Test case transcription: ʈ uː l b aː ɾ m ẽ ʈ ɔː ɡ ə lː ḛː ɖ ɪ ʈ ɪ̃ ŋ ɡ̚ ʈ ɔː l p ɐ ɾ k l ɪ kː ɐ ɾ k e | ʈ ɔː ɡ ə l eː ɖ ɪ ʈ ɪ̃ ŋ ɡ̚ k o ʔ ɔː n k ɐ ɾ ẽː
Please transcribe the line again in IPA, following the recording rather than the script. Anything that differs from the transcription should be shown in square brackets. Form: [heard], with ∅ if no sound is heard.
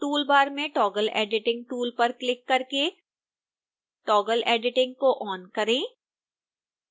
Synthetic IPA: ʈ uː l b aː ɾ m ẽ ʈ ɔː ɡ ə [l] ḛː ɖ ɪ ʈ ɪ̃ ŋ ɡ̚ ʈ [uː] l p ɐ ɾ k l ɪ kː ɐ ɾ k e | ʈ ɔː ɡ ə l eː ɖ ɪ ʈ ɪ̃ ŋ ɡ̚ k o ʔ ɔː n k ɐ ɾ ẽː